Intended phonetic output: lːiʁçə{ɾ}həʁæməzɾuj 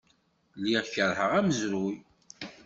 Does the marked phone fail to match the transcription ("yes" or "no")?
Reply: no